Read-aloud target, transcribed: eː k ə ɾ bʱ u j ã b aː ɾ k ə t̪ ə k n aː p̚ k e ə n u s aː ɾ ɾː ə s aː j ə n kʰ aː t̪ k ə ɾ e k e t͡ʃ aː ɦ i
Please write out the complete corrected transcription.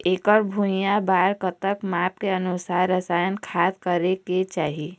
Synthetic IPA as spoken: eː k ə ɾ bʱ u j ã b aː ɾ k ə t̪ ə k m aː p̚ k e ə n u s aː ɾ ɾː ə s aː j ə n kʰ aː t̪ k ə ɾ e k e t͡ʃ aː ɦ i